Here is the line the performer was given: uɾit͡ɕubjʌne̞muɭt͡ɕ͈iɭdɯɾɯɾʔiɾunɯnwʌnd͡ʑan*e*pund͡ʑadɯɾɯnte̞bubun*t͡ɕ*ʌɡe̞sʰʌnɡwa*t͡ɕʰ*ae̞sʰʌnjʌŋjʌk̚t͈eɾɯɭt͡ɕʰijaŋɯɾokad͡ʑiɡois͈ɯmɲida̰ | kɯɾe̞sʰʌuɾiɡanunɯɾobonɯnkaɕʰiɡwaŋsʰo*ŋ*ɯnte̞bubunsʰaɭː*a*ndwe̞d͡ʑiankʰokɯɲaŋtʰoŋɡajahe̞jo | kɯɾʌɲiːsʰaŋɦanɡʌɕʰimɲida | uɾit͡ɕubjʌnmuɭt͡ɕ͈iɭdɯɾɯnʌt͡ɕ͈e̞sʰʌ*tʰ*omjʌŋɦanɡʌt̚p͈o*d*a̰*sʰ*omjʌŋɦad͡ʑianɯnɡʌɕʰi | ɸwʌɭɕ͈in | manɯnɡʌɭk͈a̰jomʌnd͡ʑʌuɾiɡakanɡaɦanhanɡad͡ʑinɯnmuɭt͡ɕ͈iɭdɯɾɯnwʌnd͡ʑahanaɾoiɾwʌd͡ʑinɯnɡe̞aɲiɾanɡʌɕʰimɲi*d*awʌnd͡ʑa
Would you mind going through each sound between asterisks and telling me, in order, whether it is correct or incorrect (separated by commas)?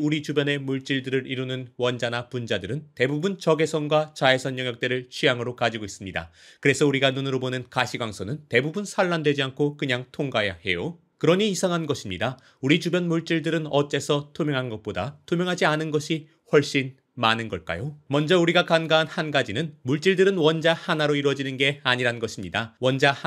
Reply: incorrect, correct, incorrect, incorrect, correct, correct, correct, incorrect, correct